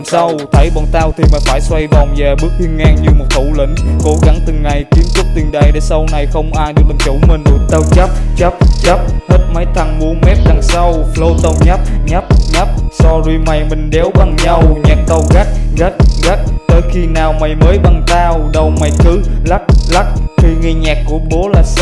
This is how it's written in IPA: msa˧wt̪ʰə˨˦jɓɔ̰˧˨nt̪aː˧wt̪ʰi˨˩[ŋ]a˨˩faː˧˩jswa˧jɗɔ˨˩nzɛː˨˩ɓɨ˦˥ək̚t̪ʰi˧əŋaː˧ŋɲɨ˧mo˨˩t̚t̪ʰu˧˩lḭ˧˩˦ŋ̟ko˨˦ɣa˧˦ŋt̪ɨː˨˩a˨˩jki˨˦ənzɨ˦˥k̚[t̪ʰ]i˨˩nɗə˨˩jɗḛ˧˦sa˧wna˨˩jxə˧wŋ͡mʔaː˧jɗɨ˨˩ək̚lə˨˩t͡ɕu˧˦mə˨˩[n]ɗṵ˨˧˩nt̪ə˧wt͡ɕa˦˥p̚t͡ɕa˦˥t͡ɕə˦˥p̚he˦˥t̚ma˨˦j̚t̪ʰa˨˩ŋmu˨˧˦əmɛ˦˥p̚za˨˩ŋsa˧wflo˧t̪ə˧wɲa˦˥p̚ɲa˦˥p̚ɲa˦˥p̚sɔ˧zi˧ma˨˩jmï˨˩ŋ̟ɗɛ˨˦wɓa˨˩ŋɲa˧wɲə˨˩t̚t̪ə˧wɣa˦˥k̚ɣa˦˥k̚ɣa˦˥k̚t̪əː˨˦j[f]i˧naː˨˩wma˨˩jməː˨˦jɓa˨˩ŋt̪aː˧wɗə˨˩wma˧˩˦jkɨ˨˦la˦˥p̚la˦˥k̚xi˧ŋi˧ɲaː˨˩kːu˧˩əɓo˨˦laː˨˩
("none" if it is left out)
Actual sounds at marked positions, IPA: m, t̪, n, x

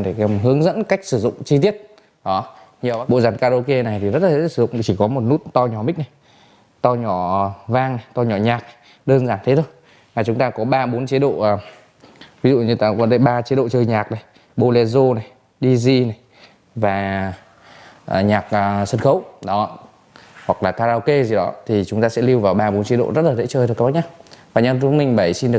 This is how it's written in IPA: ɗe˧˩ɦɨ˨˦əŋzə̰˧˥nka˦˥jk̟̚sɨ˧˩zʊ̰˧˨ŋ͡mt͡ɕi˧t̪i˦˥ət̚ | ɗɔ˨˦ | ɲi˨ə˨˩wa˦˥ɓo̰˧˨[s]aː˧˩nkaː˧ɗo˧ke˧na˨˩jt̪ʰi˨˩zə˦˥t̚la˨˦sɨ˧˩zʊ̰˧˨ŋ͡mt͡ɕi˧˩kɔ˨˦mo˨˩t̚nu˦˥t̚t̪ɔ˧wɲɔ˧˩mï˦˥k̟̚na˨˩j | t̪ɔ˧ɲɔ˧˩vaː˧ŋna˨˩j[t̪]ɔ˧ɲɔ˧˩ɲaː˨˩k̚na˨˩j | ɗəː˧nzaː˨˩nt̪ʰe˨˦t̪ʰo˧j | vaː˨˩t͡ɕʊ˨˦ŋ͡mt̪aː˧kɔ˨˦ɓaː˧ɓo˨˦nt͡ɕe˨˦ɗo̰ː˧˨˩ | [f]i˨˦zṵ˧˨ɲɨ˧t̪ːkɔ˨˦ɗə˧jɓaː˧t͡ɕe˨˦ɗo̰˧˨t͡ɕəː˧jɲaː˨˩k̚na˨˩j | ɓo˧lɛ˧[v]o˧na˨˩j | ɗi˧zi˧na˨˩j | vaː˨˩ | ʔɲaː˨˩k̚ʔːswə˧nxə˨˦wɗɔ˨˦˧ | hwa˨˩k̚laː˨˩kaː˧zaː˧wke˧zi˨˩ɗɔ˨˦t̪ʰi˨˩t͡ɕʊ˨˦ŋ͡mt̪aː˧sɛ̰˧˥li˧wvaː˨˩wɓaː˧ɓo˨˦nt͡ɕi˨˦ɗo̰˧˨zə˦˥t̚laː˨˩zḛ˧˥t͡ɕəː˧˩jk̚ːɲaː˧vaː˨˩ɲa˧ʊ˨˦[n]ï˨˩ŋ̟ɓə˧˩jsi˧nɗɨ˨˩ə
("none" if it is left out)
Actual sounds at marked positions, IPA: z, t̪, v, z, m

